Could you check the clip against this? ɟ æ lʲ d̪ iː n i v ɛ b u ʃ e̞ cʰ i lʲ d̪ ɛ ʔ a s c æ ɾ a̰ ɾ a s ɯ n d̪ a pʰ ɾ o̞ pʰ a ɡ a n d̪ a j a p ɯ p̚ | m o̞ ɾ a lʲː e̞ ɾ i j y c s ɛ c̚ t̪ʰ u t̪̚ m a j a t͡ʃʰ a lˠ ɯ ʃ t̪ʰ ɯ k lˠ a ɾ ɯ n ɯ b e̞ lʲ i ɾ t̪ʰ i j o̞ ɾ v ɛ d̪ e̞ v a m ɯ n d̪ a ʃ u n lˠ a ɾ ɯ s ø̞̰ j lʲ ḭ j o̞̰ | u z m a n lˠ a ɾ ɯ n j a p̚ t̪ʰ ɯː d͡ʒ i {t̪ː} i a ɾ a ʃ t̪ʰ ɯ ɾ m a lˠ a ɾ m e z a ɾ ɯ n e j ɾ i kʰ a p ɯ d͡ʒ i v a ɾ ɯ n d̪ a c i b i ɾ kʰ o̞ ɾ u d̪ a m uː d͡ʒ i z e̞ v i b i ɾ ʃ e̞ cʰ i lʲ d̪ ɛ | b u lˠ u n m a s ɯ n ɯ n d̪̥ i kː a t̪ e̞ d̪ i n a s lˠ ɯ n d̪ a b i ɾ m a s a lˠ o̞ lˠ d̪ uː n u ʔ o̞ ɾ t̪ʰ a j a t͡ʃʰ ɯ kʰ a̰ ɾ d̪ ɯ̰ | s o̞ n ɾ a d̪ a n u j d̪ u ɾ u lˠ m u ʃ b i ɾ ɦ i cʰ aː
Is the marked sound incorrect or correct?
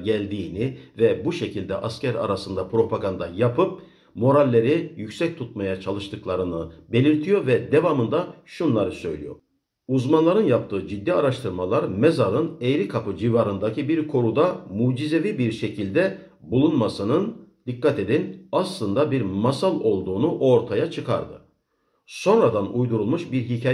incorrect